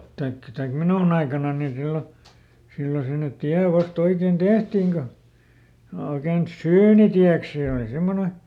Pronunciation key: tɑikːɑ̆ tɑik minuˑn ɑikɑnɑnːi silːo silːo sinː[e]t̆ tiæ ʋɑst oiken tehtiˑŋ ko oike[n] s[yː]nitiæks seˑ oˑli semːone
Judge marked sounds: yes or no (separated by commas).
yes, yes, yes